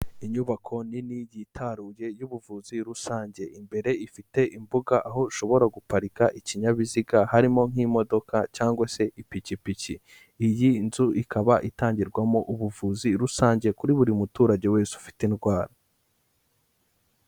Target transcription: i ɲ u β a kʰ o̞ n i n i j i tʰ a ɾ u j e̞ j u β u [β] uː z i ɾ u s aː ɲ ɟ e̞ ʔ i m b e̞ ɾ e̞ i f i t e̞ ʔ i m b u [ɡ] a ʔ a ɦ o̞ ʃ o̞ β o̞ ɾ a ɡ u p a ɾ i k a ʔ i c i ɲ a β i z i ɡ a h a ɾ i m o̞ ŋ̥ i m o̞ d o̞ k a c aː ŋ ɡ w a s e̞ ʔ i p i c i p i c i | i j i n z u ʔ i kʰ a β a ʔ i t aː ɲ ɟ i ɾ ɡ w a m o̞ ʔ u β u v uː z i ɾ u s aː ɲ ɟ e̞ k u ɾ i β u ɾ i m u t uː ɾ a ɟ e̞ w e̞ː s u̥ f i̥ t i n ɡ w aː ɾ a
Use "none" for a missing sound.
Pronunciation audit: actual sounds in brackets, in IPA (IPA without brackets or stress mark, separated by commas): v, ɡ